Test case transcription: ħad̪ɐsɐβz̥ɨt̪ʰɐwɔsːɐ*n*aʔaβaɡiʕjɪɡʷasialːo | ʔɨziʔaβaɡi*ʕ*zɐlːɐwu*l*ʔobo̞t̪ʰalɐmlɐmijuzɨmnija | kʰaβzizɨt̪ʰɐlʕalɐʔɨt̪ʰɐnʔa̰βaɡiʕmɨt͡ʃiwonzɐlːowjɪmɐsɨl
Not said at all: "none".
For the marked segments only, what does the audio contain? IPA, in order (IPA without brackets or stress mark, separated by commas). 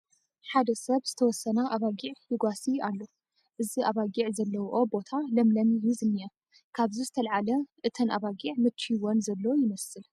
n, ʕ, none